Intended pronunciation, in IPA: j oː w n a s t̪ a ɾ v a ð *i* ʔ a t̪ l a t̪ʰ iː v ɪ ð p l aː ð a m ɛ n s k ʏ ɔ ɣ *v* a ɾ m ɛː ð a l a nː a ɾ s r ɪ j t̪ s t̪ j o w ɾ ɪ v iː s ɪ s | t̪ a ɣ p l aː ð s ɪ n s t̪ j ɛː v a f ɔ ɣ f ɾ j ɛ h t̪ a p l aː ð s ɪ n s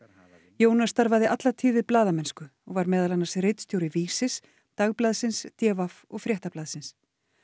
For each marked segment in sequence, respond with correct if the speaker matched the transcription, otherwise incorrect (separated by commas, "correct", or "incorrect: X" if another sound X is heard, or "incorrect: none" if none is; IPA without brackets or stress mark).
incorrect: ɪ, correct